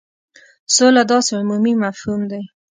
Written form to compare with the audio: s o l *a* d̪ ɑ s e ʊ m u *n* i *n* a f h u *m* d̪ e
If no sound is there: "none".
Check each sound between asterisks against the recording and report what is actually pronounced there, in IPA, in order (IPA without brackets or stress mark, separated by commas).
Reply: a, m, m, m